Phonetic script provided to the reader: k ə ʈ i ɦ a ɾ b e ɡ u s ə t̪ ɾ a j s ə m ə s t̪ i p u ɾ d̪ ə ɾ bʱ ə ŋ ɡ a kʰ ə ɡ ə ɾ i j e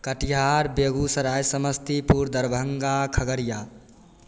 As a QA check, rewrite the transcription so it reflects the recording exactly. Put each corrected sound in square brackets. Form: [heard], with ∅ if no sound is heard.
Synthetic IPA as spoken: k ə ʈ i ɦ a ɾ b e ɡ u s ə [∅] ɾ a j s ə m ə s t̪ i p u ɾ d̪ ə ɾ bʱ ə ŋ ɡ a kʰ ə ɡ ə ɾ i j [a]